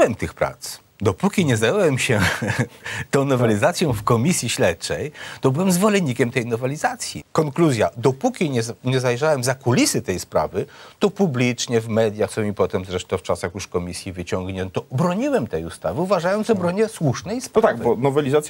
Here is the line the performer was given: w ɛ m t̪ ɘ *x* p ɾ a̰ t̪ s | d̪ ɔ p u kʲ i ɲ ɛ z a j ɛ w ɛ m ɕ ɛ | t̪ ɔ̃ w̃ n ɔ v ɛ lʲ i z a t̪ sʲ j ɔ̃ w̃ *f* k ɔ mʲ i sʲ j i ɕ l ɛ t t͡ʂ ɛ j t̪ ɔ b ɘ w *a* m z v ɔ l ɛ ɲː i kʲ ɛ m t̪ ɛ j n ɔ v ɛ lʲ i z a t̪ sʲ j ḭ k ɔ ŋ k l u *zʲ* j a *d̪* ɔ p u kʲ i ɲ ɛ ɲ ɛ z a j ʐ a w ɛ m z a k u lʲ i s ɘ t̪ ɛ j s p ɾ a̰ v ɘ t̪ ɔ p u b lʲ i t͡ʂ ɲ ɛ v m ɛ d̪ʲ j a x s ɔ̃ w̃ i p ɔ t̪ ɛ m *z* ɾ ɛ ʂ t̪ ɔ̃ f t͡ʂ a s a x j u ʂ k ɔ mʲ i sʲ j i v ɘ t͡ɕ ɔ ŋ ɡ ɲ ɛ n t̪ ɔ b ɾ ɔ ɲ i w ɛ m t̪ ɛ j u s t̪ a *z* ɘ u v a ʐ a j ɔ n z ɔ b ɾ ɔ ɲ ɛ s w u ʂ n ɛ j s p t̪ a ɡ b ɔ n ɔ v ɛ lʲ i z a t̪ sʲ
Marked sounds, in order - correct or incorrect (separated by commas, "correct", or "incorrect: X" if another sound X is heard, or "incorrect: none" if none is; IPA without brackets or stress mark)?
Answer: correct, correct, incorrect: ɛ, correct, correct, correct, incorrect: v